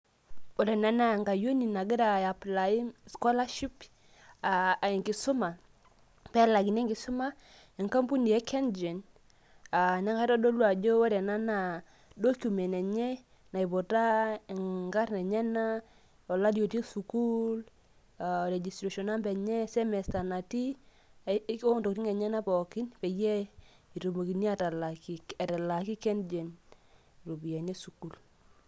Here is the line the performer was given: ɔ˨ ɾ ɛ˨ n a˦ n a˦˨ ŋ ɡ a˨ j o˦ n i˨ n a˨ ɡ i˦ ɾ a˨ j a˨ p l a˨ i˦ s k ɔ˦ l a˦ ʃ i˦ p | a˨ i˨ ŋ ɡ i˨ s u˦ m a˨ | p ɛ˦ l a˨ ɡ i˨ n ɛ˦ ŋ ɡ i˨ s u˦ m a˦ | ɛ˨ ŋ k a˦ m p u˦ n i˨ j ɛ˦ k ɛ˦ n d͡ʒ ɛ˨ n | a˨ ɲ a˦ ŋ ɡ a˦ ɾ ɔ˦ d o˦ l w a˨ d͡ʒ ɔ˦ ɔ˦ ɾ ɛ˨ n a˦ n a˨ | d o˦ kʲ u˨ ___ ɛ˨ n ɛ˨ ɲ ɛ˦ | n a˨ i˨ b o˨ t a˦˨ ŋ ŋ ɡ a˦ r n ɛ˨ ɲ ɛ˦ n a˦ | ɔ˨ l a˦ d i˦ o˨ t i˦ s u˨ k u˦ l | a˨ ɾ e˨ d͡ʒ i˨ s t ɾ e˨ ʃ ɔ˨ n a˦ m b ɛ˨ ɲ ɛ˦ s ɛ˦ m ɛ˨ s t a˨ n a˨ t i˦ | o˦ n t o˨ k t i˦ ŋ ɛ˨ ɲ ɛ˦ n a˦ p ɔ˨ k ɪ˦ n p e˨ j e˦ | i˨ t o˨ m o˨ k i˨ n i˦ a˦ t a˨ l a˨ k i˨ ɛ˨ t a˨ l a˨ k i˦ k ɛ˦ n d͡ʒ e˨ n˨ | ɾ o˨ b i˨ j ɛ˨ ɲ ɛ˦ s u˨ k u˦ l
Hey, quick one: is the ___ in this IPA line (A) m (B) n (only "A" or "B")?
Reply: A